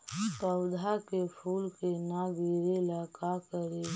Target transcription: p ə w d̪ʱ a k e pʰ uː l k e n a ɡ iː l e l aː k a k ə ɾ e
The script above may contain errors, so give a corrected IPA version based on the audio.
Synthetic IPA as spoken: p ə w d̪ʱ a k e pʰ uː l k e n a ɡ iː ɾ e l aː k a k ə ɾ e